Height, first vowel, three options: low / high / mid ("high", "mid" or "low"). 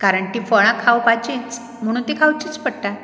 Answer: low